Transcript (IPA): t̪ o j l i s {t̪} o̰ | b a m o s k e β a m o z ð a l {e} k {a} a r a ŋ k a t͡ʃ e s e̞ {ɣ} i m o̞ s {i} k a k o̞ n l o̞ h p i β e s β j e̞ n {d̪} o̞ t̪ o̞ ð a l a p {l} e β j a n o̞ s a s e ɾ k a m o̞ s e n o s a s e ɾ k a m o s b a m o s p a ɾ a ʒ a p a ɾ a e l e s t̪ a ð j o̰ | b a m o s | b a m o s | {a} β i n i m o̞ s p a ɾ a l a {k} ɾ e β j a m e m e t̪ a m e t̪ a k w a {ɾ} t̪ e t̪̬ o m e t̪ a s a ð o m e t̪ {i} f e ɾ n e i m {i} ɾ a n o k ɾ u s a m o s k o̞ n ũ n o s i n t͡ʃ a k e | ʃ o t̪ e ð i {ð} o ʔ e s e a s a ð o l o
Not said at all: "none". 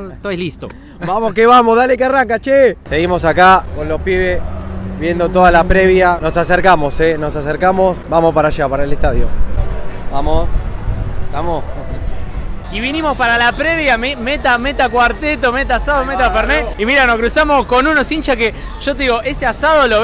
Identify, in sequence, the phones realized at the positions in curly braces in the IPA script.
t̪, e, e, ɣ, a, d̪, ɾ, i, p, ɾ, a, i, ɣ

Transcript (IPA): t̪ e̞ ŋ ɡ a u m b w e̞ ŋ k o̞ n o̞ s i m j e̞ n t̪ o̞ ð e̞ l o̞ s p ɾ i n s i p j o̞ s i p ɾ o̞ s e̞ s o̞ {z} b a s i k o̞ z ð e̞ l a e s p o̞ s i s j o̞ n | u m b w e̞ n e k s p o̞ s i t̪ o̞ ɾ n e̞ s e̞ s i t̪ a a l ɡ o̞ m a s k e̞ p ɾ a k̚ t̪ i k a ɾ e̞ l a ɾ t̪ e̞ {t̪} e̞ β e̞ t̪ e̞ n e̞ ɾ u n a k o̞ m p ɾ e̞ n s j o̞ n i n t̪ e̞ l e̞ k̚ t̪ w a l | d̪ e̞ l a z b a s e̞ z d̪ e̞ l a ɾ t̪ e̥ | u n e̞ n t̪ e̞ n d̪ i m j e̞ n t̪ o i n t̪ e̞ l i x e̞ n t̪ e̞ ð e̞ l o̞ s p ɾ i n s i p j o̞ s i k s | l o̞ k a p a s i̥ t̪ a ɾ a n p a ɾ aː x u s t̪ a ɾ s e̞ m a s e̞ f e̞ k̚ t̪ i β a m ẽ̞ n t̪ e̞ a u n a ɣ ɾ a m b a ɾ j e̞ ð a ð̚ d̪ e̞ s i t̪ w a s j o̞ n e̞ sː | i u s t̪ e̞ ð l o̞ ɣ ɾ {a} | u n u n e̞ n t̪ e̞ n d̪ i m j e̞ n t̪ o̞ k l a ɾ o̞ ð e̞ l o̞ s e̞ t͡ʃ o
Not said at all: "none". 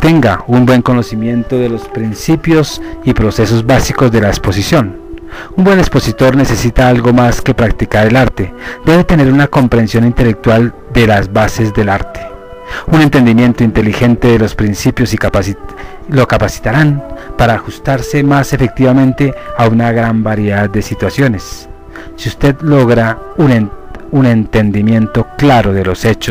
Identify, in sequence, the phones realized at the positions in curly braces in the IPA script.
z, d̪, a

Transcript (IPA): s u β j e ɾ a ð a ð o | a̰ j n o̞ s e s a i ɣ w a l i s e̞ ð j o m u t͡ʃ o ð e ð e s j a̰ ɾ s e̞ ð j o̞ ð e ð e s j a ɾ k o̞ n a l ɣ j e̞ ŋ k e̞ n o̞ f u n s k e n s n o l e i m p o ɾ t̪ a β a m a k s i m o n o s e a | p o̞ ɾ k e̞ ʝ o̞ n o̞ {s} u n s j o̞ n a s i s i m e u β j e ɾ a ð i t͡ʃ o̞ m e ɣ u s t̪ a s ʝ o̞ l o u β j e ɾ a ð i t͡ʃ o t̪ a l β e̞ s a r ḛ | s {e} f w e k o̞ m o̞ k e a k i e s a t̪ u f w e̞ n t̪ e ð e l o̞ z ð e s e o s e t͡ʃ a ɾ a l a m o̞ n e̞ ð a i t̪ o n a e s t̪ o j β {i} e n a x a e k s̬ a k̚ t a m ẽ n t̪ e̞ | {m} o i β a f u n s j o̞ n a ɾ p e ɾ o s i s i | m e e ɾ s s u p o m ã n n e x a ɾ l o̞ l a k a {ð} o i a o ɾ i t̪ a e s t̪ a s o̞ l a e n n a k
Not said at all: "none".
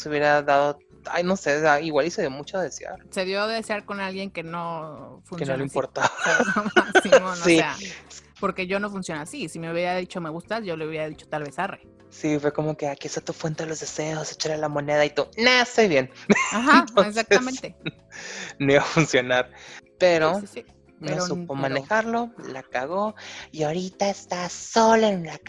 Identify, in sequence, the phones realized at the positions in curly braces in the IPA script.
f, i, j, n, ɣ

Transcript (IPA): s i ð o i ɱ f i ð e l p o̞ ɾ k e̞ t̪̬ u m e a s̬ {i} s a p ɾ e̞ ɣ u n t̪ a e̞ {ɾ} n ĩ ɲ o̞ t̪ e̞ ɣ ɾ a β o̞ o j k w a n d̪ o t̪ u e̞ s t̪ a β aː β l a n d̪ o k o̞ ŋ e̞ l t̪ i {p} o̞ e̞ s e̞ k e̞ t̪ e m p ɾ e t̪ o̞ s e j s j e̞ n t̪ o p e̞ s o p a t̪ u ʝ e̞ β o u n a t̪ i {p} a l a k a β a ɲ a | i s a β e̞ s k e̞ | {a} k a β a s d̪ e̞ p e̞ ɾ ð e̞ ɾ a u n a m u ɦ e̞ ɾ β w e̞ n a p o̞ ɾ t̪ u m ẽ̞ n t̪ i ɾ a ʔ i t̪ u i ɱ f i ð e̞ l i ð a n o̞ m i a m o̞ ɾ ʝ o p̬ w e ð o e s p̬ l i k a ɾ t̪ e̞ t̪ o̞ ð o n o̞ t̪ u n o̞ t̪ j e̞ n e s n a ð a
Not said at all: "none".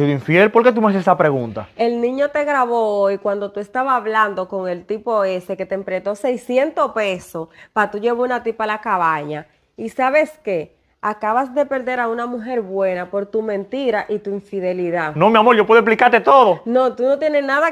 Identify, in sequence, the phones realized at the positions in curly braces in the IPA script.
e, l, p, p, a

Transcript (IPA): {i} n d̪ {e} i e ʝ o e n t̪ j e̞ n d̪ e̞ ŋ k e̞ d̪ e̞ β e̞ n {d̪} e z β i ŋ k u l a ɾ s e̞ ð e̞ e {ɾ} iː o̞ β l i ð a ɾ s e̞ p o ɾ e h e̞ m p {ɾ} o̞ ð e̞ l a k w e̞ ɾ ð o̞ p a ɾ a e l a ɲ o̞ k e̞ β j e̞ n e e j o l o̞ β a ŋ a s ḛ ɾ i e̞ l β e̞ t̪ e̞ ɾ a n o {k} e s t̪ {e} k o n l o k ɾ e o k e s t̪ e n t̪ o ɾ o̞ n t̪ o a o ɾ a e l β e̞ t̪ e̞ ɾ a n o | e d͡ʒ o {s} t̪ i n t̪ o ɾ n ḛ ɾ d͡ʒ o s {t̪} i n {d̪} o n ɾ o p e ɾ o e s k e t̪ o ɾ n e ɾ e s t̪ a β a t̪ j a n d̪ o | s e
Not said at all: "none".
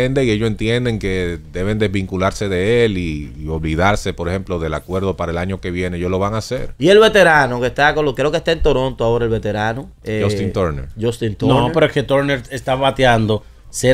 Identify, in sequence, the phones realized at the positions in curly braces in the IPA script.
e, e, d̪, l, l, k, a, s, t̪, t̪

